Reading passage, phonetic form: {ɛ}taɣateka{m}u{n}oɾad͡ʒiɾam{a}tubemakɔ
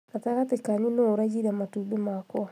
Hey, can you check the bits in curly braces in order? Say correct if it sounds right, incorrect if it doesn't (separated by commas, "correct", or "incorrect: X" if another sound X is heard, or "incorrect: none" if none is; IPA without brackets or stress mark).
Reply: incorrect: a, incorrect: ɲ, correct, correct